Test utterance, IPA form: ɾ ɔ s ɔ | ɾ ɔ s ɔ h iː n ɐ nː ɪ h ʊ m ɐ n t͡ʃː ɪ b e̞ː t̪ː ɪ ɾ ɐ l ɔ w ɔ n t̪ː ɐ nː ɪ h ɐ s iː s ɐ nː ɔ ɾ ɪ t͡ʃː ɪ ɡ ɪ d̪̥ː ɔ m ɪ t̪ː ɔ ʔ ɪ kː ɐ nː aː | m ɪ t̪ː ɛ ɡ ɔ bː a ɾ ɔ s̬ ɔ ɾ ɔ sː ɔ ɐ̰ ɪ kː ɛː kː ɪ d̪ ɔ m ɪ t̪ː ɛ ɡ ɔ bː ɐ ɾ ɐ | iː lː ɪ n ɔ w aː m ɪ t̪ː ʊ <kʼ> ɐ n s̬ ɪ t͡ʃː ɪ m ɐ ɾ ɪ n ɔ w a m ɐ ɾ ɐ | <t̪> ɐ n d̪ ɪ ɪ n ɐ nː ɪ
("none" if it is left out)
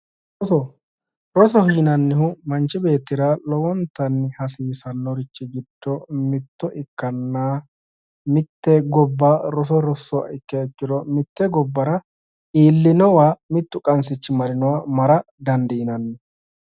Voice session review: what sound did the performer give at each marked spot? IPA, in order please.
kʼ, d̪

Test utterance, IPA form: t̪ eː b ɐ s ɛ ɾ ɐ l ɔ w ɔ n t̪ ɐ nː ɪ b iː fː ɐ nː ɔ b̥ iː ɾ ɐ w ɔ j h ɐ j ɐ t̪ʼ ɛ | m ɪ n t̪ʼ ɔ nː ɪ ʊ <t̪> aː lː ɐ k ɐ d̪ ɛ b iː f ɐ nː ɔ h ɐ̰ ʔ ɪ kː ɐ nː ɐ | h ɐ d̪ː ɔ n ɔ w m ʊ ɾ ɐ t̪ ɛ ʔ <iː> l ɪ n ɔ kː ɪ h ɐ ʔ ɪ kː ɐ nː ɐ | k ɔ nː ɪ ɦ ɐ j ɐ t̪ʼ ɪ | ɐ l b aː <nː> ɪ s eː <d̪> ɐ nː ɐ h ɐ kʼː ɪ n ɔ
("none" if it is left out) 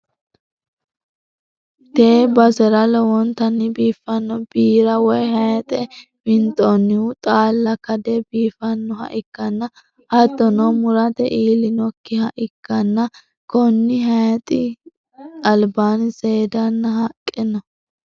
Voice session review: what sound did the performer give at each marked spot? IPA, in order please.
t̪ʼ, iː, n, d̪

